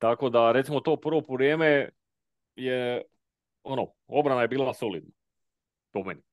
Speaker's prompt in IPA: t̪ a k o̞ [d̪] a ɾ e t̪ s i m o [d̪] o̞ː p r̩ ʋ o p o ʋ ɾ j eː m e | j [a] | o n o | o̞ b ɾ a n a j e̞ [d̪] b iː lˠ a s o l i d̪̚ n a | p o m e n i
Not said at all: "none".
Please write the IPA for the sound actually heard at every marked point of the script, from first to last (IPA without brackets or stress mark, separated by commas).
d̪, t̪, e, none